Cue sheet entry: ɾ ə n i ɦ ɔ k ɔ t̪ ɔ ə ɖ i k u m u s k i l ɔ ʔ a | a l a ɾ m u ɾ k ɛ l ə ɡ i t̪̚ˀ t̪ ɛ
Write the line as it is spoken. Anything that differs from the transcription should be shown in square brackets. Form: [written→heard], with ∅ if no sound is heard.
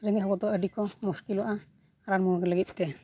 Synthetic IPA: ɾ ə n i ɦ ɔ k ɔ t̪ ɔ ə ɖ i k [u→ɔ] m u s k i l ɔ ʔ a | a [l→ɾ] a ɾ m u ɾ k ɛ l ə ɡ i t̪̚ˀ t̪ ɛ